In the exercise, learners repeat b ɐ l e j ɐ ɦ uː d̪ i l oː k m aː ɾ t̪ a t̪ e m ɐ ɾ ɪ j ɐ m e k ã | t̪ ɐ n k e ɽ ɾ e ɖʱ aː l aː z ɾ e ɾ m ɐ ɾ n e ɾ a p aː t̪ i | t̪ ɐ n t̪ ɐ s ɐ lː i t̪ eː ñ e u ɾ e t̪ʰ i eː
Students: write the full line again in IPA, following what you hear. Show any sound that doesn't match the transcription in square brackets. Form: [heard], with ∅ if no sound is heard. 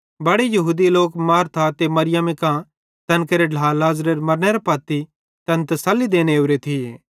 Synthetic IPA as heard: b ɐ [ɽ] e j ɐ ɦ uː d̪ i l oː k m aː ɾ [t̪ʰ] a t̪ e m ɐ ɾ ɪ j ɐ m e k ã | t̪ ɐ n k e [∅] ɾ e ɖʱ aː l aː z ɾ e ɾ m ɐ ɾ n e ɾ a p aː t̪ i | t̪ ɐ n t̪ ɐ s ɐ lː i [d̪] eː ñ e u ɾ e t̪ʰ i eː